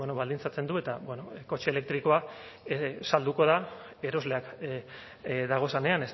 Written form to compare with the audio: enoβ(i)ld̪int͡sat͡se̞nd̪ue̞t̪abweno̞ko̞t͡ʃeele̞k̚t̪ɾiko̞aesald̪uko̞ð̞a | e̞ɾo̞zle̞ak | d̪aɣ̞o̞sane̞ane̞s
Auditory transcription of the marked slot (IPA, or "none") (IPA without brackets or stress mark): a